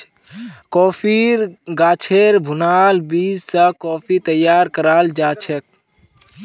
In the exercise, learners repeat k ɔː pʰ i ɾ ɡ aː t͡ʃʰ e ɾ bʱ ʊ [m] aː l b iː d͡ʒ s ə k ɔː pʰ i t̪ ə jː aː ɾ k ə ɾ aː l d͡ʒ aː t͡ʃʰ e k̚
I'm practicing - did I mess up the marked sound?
yes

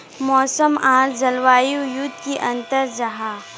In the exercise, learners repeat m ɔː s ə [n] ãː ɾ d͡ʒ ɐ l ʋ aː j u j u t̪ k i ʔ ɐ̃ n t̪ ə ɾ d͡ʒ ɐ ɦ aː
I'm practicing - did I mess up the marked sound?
yes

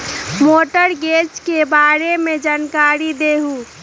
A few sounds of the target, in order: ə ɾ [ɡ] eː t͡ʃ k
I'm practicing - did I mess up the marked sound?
no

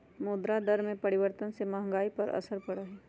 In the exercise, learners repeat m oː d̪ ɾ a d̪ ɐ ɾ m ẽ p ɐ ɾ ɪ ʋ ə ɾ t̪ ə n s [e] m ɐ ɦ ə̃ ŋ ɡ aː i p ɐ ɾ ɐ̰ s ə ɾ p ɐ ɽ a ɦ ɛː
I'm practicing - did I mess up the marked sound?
no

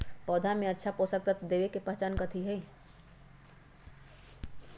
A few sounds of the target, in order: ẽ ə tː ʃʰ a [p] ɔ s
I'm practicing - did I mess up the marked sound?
no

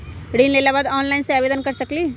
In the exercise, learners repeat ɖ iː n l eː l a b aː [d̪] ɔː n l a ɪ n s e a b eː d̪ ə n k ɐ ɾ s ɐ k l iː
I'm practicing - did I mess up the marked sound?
no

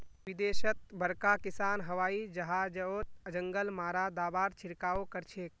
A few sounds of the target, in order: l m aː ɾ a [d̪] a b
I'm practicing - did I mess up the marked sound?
no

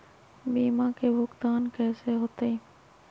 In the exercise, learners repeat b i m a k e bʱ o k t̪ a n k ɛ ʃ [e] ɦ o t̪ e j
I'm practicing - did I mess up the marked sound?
no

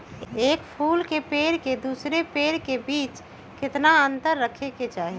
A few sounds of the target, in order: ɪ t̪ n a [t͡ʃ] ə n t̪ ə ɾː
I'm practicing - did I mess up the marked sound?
yes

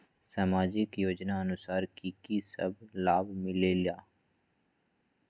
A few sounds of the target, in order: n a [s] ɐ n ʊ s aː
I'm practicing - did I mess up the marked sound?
yes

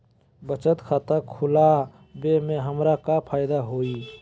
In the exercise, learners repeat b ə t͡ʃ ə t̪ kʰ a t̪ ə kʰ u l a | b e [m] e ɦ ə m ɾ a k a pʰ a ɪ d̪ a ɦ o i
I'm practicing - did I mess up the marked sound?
no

